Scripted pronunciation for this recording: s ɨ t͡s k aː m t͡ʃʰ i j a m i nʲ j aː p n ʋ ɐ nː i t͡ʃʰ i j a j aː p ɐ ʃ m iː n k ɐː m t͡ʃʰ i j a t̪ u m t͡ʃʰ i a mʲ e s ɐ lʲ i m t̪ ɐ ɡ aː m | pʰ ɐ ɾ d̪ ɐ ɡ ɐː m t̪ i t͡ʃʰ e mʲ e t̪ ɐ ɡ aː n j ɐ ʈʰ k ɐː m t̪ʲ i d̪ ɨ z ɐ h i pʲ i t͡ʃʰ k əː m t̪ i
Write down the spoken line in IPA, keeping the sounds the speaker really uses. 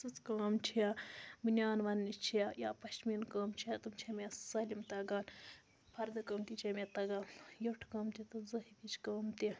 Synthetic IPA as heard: s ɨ t͡s k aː m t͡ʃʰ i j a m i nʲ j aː n ʋ ɐ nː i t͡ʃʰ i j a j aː p ɐ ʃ m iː n k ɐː m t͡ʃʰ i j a t̪ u m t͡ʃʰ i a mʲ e s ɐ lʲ i m t̪ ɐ ɡ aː n | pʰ ɐ ɾ d̪ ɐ k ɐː m t̪ i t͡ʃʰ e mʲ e t̪ ɐ ɡ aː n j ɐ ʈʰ k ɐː m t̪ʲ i t̪ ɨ z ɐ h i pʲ i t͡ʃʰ k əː m t̪ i